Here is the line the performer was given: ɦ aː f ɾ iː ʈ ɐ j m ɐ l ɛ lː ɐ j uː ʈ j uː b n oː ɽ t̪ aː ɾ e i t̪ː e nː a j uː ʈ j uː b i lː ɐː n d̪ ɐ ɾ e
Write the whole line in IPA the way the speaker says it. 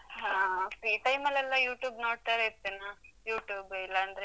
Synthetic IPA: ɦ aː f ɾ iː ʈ ɐ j m ɐ l ɛ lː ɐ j uː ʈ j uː b n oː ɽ t̪ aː ɾ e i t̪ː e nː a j uː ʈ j uː b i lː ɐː n d̪ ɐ ɾ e